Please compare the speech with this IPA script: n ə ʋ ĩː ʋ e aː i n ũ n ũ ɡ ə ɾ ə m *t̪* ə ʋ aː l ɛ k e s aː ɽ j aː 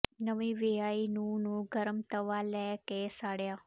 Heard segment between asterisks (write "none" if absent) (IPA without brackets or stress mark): t̪